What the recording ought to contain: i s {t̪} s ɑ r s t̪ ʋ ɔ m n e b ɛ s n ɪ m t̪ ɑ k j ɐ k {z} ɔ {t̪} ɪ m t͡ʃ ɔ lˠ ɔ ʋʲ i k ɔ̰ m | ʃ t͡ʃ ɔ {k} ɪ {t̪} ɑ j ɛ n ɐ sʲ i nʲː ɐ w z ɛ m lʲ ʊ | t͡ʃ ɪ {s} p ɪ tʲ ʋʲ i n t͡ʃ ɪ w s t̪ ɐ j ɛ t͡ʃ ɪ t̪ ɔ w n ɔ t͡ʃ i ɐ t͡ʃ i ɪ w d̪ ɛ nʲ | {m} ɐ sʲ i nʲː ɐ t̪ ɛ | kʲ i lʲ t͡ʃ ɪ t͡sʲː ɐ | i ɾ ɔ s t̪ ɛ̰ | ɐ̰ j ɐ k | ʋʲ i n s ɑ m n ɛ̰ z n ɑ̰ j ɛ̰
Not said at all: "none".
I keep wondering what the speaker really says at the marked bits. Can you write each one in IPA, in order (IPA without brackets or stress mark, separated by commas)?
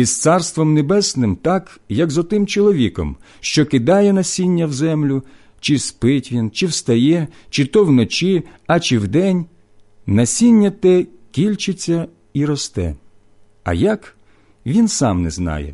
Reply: t̪, z, t̪, k, d̪, s, n